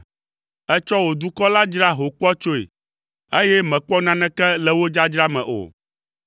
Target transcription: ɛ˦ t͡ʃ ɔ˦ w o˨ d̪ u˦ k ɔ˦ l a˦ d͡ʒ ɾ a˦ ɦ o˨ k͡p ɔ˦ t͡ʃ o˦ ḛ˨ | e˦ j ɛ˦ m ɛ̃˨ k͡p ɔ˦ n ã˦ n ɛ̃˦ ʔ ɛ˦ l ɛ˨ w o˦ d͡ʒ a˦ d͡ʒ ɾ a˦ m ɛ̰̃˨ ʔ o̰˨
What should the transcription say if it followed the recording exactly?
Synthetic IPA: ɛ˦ t͡ʃ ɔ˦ w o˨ d̪ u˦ k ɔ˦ l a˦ d͡ʒ ɾ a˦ ɦ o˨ k͡p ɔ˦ t͡ʃ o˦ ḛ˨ | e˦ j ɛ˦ m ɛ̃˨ k͡p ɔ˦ n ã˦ n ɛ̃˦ k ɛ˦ l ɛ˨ w o˦ d͡ʒ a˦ d͡ʒ ɾ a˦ m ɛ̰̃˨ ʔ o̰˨